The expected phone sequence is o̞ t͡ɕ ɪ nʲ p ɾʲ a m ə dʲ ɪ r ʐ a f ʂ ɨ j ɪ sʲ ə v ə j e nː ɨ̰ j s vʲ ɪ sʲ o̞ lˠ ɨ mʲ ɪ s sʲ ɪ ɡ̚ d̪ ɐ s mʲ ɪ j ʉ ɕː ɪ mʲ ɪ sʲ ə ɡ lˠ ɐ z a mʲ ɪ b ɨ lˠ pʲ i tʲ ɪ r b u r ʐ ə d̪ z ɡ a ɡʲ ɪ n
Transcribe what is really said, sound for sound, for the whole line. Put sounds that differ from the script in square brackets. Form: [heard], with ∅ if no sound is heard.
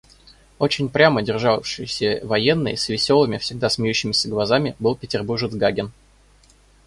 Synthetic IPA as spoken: o̞ t͡ɕ ɪ nʲ p ɾʲ a m ə dʲ ɪ r ʐ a f ʂ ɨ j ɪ sʲ ə v [ɐ] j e nː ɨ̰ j s vʲ ɪ sʲ o̞ lˠ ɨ mʲ ɪ [f] sʲ ɪ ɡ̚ d̪ [a] s mʲ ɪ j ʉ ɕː ɪ mʲ ɪ sʲ ə ɡ lˠ ɐ z a mʲ ɪ b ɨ lˠ pʲ [ɪ] tʲ ɪ r b u r ʐ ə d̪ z ɡ a ɡʲ ɪ n